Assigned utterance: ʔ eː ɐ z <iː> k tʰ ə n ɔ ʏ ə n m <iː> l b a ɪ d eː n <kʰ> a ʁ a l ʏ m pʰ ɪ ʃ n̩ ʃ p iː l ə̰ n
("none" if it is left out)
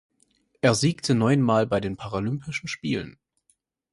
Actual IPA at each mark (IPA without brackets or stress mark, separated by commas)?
iː, aː, pʰ